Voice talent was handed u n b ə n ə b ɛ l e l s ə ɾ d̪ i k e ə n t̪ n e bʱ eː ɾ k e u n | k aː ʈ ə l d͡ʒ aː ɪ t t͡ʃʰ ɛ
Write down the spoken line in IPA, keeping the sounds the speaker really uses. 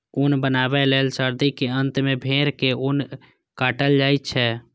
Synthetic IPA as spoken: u n b ə n a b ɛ l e l s ə ɾ d̪ i k e ə n t̪ m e bʱ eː ɾ k e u n | k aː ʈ ə l d͡ʒ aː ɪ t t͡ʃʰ ɛ